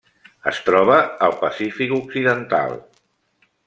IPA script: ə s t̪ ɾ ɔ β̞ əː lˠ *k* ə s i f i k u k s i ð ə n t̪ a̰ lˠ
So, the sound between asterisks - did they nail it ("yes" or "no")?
no